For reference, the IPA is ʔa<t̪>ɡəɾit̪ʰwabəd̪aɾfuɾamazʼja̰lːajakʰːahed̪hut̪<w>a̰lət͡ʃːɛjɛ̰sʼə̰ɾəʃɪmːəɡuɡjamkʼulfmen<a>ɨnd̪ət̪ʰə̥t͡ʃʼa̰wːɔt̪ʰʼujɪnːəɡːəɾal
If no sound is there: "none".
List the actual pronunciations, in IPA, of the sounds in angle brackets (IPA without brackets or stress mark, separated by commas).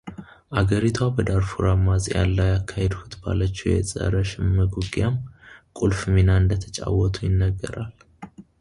none, b, a